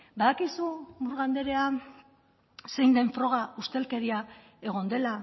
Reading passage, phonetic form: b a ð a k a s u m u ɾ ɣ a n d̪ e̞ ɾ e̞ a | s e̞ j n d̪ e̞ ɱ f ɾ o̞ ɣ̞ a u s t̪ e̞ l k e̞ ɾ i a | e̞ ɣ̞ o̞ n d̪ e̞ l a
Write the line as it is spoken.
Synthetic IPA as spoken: b a ð a k i s u m u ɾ ɣ a n d̪ e̞ ɾ e̞ a | s e̞ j n d̪ e̞ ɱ f ɾ o̞ ɣ̞ a u s t̪ e̞ l k e̞ ɾ i a | e̞ ɣ̞ o̞ n d̪ e̞ l a